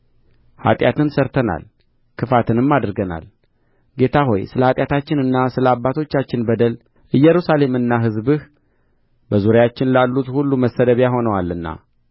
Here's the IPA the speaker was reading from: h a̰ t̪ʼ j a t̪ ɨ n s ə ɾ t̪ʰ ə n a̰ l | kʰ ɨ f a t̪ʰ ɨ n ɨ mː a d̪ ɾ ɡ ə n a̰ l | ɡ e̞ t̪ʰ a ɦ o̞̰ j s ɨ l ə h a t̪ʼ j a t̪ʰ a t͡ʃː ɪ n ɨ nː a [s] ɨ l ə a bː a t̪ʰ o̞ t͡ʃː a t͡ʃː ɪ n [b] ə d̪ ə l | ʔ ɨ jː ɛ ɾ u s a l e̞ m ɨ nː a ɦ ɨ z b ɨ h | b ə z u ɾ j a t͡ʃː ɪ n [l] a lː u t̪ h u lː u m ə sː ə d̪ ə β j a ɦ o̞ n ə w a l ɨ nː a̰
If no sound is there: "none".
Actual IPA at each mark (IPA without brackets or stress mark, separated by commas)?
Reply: s, b, l